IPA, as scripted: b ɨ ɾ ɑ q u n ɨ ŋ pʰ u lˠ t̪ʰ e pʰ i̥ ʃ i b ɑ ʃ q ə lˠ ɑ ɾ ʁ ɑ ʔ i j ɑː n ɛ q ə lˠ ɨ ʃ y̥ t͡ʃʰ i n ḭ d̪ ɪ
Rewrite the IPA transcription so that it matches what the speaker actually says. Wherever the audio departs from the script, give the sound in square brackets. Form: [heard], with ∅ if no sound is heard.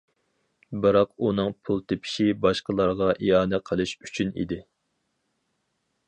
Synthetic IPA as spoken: b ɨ ɾ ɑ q u n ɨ ŋ pʰ u lˠ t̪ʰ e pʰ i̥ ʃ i b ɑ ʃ q ə lˠ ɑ ɾ ʁ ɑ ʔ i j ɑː n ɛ [qʰ] ə lˠ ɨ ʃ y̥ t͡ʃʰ [y] n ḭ d̪ ɪ